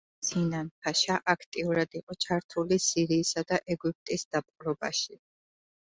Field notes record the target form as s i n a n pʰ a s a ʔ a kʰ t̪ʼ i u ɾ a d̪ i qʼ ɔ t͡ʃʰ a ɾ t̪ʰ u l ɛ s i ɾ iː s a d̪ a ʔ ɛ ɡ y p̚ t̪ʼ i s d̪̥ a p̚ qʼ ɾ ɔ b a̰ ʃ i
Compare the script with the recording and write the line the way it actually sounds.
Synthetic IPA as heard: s i n a n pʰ a ʃ a ʔ a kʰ t̪ʼ i u ɾ a d̪ i qʼ ɔ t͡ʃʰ a ɾ t̪ʰ u l i s i ɾ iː s a d̪ a ʔ ɛ ɡ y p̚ t̪ʼ i s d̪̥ a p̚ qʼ ɾ ɔ b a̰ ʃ i